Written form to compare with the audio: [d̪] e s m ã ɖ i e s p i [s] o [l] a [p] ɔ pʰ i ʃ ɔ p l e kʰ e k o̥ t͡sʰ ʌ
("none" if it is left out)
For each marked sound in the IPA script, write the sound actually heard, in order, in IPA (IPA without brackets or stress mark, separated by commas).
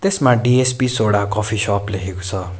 t̪, s, ɽ, k